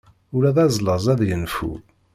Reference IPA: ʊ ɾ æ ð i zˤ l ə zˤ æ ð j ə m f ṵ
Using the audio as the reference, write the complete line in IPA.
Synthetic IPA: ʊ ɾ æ ð æ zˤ l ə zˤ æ ð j ə n f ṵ